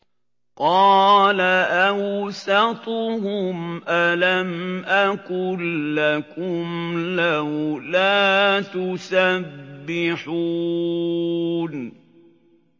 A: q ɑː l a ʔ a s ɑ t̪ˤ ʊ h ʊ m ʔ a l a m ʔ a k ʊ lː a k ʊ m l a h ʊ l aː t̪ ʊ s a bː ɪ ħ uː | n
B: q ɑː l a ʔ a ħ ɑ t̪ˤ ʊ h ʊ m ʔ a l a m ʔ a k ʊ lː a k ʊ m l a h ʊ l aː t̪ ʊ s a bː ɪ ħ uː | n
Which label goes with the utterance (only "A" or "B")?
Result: A